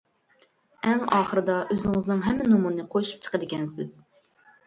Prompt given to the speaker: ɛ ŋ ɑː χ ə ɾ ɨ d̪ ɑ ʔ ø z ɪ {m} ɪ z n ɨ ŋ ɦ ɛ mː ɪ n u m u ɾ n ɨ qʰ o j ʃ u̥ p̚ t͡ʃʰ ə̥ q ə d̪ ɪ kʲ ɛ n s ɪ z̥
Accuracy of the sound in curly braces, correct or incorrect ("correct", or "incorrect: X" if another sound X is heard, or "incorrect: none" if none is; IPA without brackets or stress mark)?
incorrect: ŋ